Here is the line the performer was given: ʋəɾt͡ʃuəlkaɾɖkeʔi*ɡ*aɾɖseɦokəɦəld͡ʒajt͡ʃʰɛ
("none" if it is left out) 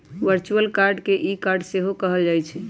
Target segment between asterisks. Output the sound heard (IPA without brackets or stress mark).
k